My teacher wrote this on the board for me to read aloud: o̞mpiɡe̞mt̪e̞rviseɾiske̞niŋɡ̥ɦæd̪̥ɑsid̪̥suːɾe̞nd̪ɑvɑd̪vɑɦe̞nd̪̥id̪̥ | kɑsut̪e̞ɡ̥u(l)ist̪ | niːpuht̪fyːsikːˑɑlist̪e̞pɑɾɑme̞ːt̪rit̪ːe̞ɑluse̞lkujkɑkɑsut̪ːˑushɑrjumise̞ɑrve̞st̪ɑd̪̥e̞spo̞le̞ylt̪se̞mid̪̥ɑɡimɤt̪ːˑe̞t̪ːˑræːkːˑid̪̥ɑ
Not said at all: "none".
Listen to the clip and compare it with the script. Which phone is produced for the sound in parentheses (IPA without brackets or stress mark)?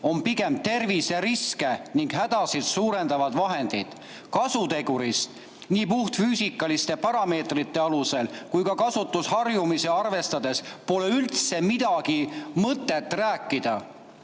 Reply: ɾ